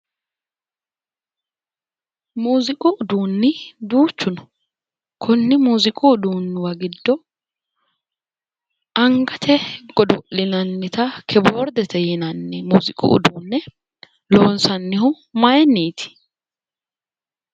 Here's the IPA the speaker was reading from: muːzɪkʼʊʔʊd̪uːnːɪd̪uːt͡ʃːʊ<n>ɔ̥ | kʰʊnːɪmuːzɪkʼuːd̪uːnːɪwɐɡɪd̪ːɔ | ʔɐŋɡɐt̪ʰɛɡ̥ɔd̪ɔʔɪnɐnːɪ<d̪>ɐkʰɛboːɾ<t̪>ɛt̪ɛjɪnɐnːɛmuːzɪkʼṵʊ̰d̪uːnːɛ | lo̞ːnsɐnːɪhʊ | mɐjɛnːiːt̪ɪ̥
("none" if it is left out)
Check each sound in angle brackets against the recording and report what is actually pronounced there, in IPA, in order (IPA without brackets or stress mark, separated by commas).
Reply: n, t̪, d̪